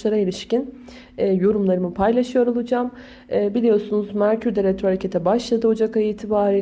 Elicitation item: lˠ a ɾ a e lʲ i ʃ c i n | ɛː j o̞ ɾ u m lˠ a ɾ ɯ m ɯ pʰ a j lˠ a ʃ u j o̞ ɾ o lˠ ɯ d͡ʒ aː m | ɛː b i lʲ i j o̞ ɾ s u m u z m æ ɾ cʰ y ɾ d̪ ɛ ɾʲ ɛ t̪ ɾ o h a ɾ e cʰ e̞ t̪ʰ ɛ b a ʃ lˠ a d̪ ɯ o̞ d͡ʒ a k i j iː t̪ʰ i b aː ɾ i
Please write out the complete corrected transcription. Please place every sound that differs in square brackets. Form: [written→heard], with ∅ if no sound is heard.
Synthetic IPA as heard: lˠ a ɾ a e lʲ i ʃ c i n | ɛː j o̞ ɾ u m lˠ a ɾ ɯ m ɯ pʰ a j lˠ a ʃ [u→ɯ] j o̞ ɾ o lˠ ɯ d͡ʒ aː m | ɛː b i lʲ i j o̞ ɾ s u [m→n] u z m æ ɾ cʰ y ɾ d̪ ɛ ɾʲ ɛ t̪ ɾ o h a ɾ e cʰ e̞ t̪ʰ ɛ b a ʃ lˠ a d̪ ɯ o̞ d͡ʒ a k [i→a] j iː t̪ʰ i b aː ɾ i